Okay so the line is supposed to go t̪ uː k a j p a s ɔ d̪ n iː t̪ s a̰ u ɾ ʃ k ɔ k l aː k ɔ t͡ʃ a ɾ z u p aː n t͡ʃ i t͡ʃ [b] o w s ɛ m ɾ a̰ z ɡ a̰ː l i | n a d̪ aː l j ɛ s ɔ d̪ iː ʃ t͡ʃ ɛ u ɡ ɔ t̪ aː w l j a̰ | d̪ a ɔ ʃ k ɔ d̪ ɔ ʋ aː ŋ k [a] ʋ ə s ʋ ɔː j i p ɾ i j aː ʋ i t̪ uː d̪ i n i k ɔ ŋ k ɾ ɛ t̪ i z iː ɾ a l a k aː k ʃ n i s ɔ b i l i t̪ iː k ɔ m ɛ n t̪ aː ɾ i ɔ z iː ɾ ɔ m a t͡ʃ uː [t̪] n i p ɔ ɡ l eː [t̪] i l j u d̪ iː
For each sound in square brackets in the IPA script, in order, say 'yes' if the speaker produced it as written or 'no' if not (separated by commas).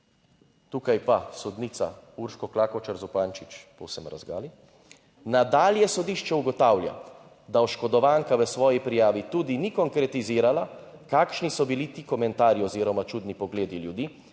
no, yes, no, no